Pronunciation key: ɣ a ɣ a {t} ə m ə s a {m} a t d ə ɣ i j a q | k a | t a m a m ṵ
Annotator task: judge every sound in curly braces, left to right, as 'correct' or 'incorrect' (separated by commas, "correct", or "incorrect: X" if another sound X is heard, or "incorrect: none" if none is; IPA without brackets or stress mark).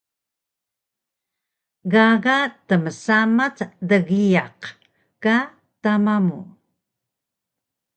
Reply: correct, correct